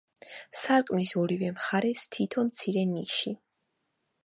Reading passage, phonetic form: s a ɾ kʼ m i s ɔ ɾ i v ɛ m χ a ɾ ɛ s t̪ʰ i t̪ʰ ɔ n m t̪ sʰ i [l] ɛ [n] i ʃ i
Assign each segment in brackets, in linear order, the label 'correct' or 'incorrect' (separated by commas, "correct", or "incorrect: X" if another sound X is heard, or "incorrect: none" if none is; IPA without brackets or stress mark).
incorrect: ɾ, correct